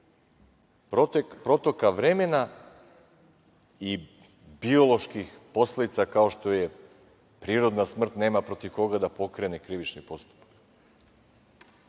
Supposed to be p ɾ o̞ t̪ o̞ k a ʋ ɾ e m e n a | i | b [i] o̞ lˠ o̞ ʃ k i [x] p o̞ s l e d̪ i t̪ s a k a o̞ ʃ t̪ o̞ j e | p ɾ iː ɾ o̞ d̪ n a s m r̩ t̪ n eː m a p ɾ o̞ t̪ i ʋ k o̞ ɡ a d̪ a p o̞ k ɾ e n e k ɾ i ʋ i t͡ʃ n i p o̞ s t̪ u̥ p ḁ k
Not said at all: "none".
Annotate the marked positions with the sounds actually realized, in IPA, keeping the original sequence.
i, x

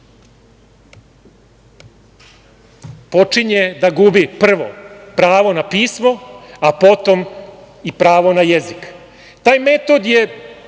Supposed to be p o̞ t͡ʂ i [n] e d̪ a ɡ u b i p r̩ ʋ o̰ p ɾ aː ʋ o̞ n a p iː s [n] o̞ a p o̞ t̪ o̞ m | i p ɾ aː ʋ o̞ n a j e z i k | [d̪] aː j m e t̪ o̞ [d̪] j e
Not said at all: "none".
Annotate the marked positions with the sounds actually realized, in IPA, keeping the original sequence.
ɲ, m, t̪, d̪

